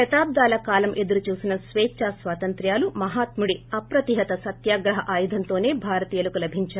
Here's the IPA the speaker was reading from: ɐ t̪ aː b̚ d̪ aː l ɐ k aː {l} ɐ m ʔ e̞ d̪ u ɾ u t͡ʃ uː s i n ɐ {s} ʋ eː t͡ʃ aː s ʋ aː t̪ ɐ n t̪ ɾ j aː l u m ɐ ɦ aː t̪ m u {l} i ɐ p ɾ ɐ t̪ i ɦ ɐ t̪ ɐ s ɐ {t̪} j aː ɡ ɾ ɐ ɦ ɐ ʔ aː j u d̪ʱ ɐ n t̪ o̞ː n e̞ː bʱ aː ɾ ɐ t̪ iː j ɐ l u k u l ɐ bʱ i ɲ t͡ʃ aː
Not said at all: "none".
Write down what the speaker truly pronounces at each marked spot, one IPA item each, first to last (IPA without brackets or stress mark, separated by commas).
l, s, ɽ, t̪